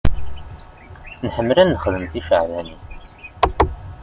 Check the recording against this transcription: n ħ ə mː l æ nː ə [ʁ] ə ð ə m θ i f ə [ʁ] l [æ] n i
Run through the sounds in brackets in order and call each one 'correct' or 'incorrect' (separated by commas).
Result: incorrect, incorrect, correct